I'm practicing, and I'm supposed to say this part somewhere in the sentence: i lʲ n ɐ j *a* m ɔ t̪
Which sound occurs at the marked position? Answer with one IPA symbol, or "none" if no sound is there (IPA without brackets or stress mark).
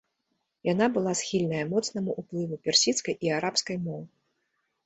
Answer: ɐ